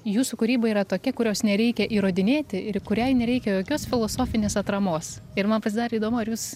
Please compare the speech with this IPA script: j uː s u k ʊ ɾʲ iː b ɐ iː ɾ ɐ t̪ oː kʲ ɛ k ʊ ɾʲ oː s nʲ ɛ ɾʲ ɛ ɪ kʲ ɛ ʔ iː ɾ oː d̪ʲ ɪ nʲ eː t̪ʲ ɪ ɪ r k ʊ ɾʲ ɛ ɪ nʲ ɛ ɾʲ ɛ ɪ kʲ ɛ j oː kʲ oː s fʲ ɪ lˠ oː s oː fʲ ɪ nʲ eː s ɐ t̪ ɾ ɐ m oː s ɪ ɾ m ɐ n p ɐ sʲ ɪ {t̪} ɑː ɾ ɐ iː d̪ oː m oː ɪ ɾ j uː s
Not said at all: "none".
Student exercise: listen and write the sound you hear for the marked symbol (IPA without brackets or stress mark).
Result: d̪